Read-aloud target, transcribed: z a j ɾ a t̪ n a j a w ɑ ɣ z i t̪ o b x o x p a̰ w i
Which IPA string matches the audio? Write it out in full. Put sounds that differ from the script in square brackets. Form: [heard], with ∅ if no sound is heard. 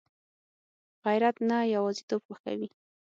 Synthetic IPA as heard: [ɣ] a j ɾ a t̪ n a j a w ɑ [∅] z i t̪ o b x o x [k] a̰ w i